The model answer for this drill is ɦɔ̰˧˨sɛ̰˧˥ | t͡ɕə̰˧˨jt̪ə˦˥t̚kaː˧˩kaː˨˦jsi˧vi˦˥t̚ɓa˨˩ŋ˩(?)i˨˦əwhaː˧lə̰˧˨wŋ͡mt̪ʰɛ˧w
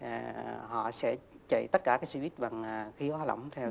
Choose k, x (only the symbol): x